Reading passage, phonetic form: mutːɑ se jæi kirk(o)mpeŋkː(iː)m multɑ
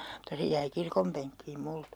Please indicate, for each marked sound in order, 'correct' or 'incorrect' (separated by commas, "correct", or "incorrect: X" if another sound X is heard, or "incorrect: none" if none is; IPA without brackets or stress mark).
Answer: correct, correct